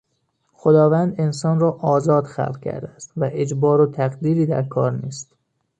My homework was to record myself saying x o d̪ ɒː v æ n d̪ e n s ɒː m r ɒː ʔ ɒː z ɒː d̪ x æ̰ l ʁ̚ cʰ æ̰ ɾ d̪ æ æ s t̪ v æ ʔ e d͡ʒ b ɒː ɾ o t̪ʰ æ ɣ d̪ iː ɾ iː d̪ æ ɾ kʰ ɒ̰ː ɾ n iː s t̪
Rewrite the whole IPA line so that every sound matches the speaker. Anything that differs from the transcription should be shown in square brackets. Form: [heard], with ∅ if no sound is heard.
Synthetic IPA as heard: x o d̪ ɒː v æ n d̪ e n s ɒː [n] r ɒː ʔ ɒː z ɒː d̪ x æ̰ l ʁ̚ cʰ æ̰ ɾ d̪ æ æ s t̪ v æ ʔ e d͡ʒ b ɒː ɾ o t̪ʰ æ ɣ d̪ iː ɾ iː d̪ æ ɾ kʰ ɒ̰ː ɾ n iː s t̪